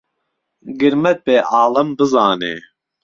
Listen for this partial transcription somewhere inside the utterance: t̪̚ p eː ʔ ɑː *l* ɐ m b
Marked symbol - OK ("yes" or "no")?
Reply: yes